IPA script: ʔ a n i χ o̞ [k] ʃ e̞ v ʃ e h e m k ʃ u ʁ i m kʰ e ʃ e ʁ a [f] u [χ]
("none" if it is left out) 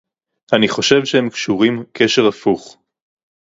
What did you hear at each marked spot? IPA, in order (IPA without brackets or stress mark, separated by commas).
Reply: none, f, χ